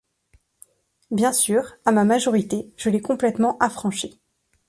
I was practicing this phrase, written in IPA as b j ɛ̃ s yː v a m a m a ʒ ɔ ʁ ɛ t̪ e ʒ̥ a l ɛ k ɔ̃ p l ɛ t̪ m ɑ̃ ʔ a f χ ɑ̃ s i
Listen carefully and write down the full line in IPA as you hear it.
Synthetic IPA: b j ɛ̃ s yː ʁ a m a m a ʒ ɔ ʁ i t̪ e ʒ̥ ə l ɛ k ɔ̃ p l ɛ t̪ m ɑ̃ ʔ a f χ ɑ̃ ʃ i